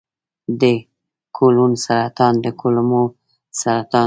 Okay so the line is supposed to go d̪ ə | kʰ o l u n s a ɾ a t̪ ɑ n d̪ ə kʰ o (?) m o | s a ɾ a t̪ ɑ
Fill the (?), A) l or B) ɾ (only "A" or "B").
A